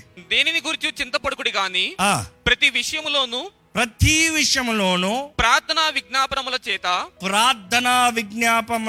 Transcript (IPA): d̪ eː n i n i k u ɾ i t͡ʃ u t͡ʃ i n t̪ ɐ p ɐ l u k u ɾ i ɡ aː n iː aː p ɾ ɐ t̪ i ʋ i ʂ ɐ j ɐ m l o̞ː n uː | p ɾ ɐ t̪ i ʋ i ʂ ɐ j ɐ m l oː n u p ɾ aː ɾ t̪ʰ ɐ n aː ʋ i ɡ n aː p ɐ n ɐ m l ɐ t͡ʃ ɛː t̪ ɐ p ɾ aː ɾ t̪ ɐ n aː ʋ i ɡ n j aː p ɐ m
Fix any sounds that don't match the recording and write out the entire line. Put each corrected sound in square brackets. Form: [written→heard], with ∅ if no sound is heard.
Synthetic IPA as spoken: d̪ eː n i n i [k→ɡ] u ɾ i t͡ʃ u t͡ʃ i n t̪ ɐ p ɐ [l→ɽ] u k u [ɾ→ɽ] i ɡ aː n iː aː p ɾ ɐ t̪ i ʋ i ʂ ɐ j ɐ m l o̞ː n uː | p ɾ ɐ t̪ i ʋ i ʂ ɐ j ɐ m l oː n u p ɾ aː ɾ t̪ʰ ɐ n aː ʋ i ɡ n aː p ɐ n ɐ m l ɐ t͡ʃ ɛː t̪ ɐ p ɾ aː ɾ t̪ ɐ n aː ʋ i ɡ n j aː p ɐ m